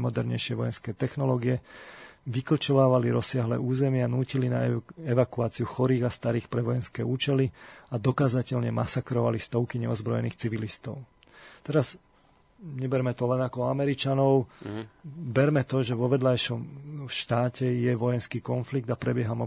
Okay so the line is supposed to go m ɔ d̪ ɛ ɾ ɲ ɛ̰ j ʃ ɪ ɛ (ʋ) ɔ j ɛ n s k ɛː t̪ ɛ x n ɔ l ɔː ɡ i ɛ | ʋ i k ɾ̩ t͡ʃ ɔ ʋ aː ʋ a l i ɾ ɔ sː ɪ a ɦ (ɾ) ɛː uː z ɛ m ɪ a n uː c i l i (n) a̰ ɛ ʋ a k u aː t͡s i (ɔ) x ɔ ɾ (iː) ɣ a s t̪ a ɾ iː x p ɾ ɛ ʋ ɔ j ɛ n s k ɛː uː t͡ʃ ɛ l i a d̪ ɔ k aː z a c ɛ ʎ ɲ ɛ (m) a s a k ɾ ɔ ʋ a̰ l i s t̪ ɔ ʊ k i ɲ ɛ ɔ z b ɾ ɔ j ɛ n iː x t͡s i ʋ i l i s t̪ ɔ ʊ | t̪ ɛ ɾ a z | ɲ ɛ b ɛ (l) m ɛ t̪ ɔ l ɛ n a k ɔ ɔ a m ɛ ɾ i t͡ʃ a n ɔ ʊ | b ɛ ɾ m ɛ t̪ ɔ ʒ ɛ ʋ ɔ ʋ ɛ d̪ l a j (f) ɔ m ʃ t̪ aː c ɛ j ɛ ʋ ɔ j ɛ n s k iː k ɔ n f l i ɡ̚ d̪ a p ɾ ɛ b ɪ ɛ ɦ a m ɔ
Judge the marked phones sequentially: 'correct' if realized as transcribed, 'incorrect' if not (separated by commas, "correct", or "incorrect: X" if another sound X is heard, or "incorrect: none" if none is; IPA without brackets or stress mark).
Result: correct, incorrect: l, correct, incorrect: u, correct, correct, incorrect: ɾ, incorrect: ʃ